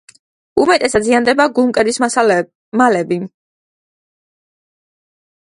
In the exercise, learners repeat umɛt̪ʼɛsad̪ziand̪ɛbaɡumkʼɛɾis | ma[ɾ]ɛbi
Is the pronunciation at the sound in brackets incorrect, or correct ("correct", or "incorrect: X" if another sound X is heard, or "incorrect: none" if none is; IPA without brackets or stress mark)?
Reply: incorrect: l